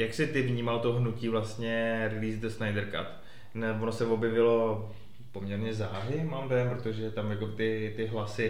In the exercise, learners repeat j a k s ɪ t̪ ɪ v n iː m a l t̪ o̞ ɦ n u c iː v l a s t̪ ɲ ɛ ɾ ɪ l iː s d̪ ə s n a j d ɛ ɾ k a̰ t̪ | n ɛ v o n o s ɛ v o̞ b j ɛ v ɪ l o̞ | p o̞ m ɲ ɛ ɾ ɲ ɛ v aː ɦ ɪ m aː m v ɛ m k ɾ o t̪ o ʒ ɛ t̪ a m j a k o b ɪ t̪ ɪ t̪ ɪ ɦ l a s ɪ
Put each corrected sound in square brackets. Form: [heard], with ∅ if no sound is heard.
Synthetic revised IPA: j a k s ɪ t̪ ɪ v [ɲ] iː m a l t̪ o̞ ɦ n u c iː v l a s t̪ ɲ ɛ ɾ ɪ l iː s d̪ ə s n a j d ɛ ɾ k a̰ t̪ | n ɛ v o n o s ɛ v o̞ b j ɛ v ɪ l o̞ | p o̞ m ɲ ɛ ɾ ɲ ɛ [z] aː ɦ ɪ m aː m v ɛ m [p] ɾ o t̪ o ʒ ɛ t̪ a m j a k o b ɪ t̪ ɪ t̪ ɪ ɦ l a s ɪ